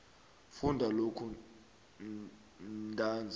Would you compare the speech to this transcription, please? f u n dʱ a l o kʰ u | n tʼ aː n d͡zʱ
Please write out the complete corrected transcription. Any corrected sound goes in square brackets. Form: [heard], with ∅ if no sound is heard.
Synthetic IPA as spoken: f u n dʱ a l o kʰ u | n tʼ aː n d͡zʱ